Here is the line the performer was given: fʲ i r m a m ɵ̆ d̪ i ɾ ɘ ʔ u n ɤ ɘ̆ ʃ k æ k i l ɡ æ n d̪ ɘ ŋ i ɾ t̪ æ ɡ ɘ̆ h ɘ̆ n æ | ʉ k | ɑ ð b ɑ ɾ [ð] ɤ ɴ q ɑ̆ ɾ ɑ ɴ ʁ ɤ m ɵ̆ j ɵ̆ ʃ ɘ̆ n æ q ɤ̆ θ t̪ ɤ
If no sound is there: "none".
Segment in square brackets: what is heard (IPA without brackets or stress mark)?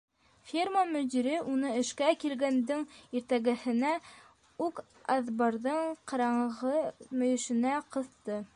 ð